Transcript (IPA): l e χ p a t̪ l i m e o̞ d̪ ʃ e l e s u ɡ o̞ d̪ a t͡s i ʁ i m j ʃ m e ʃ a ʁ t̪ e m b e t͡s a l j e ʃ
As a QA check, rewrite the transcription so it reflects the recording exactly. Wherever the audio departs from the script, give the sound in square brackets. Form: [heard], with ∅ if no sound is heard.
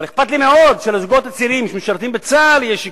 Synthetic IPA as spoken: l e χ p a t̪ l i m e o̞ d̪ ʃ e l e [z] u ɡ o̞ [t̪] a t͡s i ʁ i m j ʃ m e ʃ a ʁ t̪ [i] m b e t͡s a l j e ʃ